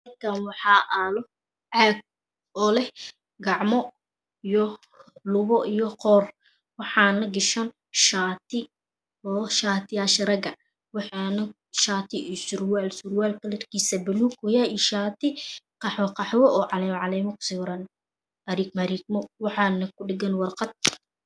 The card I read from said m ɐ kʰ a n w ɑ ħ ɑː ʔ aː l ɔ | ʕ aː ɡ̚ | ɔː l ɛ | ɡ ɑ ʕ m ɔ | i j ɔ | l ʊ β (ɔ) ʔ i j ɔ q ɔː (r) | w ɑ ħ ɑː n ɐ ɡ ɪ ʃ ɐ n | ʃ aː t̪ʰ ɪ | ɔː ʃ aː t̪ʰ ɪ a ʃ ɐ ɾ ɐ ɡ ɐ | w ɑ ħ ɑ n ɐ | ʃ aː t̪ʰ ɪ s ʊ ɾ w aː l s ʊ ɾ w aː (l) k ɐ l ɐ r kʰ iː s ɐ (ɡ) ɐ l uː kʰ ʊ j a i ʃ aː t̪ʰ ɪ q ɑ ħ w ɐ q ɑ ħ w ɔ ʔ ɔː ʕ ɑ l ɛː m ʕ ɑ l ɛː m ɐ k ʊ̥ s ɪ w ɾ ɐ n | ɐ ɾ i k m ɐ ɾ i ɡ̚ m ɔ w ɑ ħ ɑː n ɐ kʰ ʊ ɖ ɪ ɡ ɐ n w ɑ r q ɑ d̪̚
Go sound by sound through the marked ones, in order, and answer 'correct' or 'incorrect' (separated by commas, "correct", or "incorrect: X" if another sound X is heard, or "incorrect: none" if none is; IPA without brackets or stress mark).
correct, correct, correct, incorrect: b